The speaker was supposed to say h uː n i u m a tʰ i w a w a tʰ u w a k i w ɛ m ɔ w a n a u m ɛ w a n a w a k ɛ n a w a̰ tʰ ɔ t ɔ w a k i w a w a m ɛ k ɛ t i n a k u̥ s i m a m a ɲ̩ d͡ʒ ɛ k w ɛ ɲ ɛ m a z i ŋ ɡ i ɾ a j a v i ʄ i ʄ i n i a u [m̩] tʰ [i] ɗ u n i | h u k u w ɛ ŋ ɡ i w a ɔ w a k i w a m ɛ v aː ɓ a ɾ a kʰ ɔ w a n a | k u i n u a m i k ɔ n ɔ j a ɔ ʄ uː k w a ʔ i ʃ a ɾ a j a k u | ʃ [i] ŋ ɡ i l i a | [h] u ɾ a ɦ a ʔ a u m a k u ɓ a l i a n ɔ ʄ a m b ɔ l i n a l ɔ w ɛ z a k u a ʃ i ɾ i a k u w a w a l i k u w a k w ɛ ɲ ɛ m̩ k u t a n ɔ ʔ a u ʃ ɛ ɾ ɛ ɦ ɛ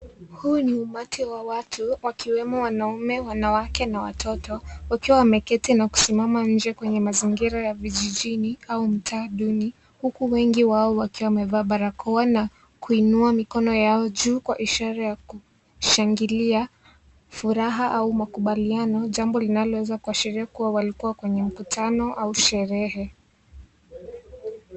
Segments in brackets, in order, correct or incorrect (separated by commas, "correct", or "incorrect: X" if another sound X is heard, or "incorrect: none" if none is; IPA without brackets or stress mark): correct, incorrect: a, incorrect: a, incorrect: f